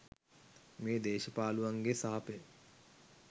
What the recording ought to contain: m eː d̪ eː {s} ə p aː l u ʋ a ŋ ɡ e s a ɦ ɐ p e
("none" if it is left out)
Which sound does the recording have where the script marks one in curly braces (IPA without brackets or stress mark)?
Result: ʃ